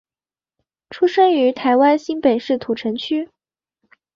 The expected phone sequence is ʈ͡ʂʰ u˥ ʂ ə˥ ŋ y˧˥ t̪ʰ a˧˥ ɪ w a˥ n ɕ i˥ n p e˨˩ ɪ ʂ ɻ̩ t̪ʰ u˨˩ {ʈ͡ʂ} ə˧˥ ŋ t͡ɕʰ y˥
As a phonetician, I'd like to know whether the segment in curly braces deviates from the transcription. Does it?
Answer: yes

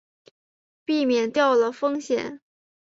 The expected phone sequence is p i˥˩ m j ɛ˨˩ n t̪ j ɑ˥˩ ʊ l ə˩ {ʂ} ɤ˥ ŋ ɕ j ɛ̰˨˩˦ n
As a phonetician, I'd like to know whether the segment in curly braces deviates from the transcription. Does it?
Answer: yes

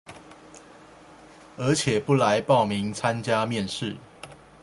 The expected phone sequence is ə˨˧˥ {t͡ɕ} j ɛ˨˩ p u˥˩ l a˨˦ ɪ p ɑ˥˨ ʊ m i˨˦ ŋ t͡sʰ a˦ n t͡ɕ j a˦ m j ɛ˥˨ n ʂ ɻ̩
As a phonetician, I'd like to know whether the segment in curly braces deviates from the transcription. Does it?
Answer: yes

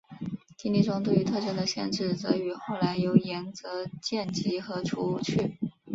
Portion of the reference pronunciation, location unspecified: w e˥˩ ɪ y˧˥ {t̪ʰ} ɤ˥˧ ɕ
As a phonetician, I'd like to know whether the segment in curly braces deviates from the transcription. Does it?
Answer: no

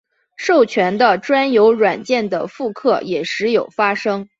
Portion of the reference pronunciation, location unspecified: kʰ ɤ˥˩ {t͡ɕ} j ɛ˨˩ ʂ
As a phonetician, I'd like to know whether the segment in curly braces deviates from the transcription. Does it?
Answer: yes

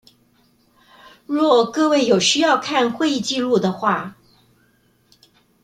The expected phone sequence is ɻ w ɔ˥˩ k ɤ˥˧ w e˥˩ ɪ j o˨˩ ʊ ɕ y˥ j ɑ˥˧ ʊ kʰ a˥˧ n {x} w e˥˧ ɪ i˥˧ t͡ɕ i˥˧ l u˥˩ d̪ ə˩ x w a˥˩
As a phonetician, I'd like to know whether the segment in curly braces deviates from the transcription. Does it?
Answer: no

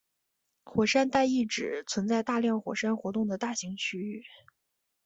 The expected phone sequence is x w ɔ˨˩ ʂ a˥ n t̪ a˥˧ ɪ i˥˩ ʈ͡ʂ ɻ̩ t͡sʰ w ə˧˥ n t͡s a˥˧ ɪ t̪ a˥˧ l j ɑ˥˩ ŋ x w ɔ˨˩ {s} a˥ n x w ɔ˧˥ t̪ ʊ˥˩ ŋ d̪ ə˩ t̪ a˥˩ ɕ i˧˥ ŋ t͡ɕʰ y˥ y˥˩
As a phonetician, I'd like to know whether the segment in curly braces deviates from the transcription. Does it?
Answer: yes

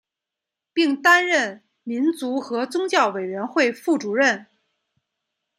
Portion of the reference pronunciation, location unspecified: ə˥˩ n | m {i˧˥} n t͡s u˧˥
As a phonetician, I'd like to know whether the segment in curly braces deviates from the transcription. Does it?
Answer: no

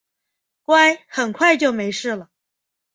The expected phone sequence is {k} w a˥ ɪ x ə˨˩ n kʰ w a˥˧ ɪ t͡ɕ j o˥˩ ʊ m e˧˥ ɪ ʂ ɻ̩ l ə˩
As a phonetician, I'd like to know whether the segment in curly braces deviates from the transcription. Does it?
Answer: no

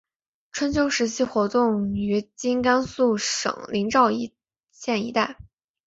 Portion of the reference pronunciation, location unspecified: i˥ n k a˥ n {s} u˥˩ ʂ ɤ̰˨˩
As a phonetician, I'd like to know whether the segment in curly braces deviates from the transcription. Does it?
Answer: no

